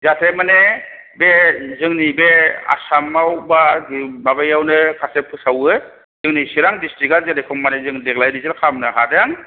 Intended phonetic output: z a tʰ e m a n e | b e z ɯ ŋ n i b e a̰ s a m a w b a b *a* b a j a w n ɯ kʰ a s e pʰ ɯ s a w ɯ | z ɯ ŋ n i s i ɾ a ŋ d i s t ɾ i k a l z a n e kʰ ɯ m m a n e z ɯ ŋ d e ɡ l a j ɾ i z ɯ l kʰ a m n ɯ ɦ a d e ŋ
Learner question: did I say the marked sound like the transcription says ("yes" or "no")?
yes